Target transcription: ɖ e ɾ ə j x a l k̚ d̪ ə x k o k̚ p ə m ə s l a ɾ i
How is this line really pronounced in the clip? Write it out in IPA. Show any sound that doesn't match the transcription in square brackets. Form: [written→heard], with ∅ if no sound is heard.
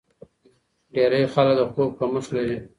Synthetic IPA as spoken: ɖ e ɾ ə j x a l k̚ d̪ ə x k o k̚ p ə m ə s l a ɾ i